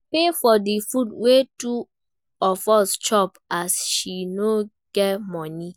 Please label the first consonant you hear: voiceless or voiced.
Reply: voiceless